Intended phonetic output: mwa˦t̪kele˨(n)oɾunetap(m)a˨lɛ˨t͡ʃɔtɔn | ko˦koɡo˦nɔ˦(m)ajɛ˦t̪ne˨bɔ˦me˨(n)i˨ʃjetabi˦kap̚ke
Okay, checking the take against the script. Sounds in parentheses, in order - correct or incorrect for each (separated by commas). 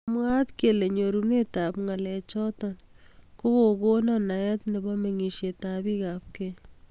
incorrect, incorrect, incorrect, incorrect